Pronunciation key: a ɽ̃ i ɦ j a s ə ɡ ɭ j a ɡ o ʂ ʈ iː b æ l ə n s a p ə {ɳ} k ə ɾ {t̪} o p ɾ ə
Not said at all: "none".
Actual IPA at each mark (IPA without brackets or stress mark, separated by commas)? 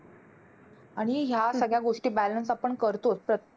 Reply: ɳ, t̪